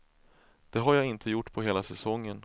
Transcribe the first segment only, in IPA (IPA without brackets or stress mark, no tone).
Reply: d̪̥